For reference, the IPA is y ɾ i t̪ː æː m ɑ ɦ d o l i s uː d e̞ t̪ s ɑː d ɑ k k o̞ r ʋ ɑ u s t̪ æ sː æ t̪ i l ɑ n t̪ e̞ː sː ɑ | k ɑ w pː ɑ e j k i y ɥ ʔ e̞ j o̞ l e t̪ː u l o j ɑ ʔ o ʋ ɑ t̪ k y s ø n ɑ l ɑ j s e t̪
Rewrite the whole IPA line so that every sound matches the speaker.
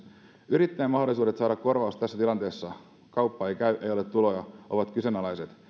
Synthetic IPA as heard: y ɾ i t̪ː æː m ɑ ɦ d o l i s uː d e̞ t̪ s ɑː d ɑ k k o̞ r ʋ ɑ u s t̪ æ sː æ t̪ i l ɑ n t̪ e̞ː sː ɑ | k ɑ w pː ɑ e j k æ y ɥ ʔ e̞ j o̞ l e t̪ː u l o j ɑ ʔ o ʋ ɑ t̪ k y s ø n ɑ l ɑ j s e t̪